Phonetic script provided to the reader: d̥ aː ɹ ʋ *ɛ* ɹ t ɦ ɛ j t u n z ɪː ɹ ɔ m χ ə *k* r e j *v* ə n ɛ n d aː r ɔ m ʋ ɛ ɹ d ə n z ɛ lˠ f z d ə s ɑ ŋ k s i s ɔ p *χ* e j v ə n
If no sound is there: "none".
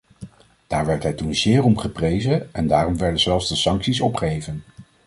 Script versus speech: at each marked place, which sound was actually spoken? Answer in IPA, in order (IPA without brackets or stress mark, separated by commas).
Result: ɛ, p, z, χ